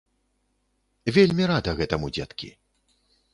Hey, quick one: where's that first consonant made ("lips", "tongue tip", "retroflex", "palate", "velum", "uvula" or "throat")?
lips